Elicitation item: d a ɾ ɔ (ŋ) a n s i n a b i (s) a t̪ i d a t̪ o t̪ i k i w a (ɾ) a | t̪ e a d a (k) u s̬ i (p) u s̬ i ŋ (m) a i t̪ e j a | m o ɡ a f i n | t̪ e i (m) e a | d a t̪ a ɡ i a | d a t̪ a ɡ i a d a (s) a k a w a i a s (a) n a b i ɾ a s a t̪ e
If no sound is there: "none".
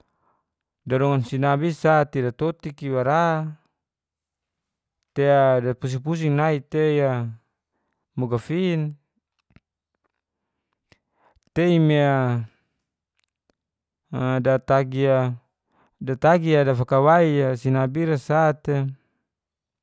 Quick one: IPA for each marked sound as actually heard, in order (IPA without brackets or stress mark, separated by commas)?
ŋ, s, ɾ, p, p, n, m, f, i